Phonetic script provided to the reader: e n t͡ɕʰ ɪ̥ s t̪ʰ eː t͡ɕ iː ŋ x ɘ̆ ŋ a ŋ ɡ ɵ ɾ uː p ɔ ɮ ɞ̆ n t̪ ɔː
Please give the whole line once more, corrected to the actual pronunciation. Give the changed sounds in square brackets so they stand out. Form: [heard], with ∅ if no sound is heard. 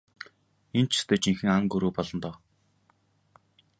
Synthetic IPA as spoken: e n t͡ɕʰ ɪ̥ s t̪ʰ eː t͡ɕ [i] ŋ x ɘ̆ ŋ a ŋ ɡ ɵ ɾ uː p ɔ ɮ ɞ̆ n t̪ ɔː